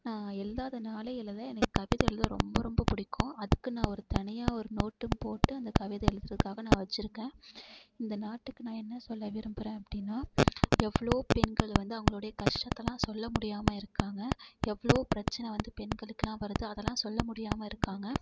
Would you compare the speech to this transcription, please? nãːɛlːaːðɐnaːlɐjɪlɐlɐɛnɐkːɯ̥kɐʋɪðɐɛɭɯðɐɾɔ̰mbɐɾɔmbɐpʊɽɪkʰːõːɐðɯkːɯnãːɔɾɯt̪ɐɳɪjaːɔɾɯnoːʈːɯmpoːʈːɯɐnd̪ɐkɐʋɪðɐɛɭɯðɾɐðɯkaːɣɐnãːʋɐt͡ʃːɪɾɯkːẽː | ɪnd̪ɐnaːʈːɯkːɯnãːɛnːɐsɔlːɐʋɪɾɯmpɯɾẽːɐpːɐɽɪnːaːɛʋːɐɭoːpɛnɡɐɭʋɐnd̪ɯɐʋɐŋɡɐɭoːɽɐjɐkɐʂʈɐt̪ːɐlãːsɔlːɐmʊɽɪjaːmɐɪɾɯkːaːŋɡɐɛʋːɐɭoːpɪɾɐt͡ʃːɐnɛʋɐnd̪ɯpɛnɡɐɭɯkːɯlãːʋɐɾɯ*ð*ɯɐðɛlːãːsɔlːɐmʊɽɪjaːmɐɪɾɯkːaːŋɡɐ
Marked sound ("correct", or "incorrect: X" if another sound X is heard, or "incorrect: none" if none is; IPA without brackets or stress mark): correct